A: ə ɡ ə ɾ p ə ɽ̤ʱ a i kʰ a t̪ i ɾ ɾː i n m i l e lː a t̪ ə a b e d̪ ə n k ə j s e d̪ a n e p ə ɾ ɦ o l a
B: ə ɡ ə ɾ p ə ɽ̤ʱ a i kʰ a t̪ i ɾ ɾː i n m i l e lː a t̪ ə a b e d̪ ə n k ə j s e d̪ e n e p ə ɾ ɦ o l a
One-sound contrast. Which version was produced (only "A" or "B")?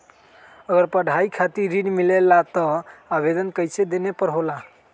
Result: B